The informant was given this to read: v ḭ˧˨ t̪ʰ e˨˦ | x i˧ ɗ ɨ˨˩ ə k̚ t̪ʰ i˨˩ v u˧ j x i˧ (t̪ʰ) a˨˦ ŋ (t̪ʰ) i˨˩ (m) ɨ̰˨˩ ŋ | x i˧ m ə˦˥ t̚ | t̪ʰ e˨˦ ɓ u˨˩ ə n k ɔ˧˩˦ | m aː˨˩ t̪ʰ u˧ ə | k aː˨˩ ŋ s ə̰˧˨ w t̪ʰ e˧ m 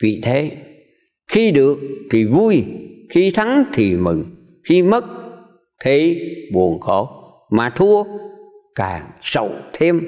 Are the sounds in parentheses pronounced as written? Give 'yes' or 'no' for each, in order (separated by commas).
yes, yes, yes